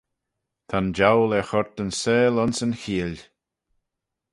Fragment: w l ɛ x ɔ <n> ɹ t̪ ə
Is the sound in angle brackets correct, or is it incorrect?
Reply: incorrect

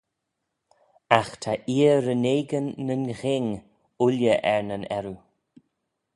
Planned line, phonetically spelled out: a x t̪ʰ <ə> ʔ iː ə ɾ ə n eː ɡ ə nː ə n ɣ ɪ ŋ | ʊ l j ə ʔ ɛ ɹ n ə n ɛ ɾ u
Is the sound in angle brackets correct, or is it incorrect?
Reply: incorrect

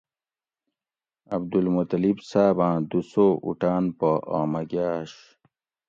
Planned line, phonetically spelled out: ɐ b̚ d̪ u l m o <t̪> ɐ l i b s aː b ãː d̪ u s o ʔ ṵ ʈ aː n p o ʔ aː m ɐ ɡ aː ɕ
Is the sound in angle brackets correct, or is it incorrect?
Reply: correct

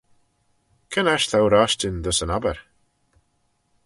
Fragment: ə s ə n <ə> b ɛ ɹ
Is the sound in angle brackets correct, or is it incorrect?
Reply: incorrect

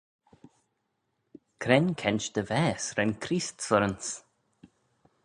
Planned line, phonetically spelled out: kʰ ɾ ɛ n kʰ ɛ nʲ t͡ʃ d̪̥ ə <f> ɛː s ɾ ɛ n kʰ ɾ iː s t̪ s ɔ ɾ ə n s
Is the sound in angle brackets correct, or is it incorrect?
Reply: incorrect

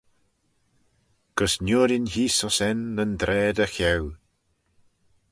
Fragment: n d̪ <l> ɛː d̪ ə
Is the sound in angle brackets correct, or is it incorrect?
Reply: incorrect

